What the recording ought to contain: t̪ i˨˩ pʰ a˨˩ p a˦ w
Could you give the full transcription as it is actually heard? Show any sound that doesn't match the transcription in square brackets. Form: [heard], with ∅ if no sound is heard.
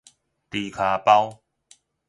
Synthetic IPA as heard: t̪ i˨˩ [kʰ] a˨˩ p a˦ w